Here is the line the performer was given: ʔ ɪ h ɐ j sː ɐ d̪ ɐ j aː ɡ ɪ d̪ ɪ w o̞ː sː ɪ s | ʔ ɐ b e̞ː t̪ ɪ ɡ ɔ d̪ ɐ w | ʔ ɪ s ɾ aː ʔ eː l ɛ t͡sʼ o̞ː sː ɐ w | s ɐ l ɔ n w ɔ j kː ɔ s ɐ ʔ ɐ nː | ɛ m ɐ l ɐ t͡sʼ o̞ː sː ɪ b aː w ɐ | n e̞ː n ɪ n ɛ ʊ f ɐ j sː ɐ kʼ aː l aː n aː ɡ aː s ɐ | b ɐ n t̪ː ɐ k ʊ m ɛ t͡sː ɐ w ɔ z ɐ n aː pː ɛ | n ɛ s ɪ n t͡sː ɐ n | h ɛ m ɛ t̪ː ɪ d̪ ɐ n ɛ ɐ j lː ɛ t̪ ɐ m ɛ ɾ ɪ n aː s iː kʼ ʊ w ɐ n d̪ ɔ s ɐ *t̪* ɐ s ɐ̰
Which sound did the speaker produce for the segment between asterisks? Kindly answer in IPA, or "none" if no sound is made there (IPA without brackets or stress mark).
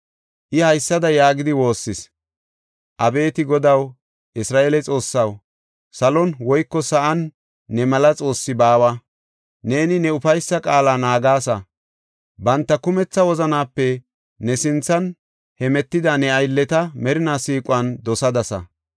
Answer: d̪